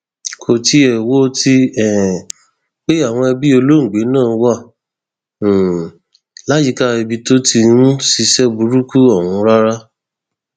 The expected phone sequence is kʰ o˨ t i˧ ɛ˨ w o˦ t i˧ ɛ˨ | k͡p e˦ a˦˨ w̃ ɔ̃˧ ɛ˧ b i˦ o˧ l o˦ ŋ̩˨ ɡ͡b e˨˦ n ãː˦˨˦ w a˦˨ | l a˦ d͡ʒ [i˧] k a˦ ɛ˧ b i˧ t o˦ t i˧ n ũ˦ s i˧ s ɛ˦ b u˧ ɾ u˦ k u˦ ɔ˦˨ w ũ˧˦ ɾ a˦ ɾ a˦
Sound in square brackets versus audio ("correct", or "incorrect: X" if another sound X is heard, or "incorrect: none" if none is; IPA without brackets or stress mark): correct